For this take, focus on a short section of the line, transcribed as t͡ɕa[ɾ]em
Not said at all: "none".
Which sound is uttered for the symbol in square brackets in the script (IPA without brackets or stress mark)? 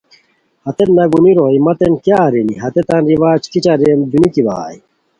ɾ